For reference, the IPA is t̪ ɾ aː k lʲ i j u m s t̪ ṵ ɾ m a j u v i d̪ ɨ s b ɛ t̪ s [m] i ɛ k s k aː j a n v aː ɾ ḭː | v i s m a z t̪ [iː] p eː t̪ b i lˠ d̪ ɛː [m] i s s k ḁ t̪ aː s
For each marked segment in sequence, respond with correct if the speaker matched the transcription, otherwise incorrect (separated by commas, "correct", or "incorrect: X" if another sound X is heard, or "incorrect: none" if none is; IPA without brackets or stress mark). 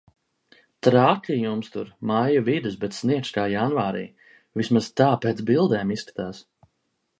incorrect: n, incorrect: aː, correct